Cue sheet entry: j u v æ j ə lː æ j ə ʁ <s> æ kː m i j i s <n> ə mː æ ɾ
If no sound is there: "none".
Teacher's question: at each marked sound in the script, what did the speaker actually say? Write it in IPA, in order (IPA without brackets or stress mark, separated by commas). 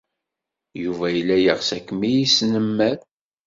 s, n